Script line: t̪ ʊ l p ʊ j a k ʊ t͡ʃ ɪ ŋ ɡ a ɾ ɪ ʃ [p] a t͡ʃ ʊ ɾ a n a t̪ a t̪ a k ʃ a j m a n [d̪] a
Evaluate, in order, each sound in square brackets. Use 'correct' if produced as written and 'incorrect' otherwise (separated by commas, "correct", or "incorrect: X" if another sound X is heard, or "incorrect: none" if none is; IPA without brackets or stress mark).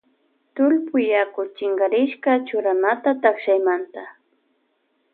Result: incorrect: k, incorrect: t̪